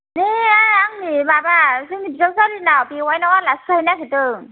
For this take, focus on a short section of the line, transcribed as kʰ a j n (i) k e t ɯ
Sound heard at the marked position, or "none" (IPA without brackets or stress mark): a